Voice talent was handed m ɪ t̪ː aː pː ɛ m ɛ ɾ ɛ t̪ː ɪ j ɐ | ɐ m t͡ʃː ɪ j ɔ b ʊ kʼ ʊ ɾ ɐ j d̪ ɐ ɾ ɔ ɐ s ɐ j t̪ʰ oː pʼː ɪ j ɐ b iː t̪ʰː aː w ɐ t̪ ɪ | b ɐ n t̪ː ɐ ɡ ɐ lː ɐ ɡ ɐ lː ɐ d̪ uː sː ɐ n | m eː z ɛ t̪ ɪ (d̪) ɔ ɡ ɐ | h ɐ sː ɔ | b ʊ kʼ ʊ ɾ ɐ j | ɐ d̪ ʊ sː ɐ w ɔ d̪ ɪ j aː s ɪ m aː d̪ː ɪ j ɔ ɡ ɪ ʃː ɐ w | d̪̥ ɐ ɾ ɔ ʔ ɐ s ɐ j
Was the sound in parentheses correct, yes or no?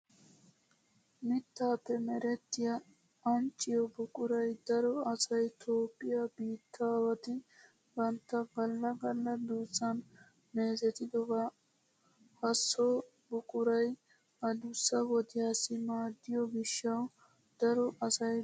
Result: yes